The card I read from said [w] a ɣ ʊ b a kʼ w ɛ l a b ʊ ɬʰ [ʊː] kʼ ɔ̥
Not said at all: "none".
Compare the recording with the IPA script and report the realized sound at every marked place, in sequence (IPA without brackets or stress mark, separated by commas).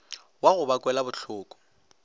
w, ʊː